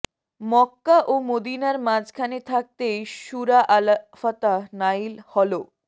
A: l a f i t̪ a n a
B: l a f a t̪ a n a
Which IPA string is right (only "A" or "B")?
B